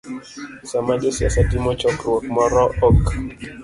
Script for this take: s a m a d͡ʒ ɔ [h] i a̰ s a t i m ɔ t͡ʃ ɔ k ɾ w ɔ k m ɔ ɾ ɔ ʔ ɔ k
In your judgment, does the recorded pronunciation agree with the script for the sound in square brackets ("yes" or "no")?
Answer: no